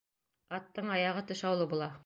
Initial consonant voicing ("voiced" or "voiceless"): voiceless